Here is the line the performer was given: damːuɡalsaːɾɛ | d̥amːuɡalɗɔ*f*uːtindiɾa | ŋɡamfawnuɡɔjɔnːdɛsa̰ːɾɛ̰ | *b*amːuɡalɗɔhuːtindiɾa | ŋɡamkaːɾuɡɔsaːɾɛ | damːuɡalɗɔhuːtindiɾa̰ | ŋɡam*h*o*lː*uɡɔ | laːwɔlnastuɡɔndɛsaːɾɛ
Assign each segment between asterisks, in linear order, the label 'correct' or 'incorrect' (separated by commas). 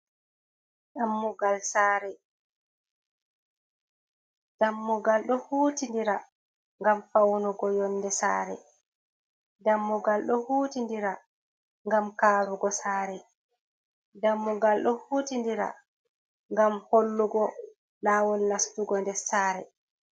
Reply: incorrect, incorrect, correct, correct